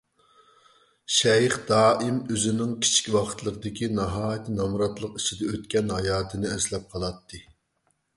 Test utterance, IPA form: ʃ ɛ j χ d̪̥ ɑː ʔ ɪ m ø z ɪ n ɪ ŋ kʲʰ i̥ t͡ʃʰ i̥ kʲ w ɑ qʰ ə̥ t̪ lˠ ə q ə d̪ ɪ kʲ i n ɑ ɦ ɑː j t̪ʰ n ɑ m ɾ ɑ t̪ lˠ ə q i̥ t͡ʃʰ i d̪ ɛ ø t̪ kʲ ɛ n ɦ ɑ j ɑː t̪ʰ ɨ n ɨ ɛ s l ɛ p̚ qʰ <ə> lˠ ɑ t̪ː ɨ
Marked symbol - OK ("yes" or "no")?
no